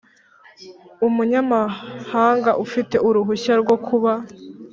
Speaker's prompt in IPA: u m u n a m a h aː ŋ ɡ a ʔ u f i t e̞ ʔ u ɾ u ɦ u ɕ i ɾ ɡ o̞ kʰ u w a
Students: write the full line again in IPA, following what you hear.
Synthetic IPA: u m u ɲ a m a h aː ŋ ɡ a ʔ u f i t e̞ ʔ u ɾ u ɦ u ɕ a ɾ ɡ o̞ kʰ u β a